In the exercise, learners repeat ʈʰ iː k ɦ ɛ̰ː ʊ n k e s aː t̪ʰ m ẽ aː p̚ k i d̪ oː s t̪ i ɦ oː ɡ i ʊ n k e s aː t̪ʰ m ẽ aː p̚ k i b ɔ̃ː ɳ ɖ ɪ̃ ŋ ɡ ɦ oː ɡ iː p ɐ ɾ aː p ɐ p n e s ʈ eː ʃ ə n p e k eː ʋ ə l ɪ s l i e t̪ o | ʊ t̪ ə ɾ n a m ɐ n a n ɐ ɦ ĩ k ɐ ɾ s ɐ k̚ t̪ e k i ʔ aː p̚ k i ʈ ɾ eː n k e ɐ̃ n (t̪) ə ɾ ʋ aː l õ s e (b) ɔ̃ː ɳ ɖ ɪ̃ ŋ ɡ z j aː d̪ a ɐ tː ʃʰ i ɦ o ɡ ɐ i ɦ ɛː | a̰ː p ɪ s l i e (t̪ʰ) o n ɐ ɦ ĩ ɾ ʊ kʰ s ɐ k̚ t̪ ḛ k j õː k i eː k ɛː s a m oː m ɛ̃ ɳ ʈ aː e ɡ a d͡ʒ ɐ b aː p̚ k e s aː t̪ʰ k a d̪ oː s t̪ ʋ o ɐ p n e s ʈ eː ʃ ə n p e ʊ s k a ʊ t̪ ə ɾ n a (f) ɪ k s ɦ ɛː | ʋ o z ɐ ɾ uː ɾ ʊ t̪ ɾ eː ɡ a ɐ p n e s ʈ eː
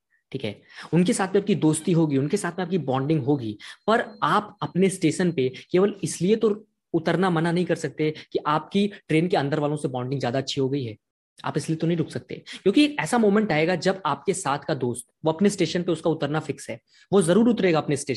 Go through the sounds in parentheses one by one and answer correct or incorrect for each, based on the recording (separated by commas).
incorrect, correct, incorrect, correct